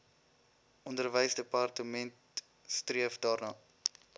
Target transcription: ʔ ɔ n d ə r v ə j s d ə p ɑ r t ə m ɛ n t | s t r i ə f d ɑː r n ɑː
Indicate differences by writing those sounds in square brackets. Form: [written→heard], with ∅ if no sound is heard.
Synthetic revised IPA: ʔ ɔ n d ə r v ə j s d ə p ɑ r t ə m ɛ n t | s t r i ə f d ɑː r n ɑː